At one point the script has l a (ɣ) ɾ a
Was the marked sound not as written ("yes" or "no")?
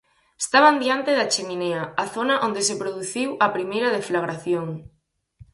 no